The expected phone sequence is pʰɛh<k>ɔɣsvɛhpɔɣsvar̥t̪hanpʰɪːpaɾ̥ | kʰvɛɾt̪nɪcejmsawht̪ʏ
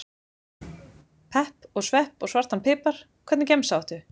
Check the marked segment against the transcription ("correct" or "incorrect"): incorrect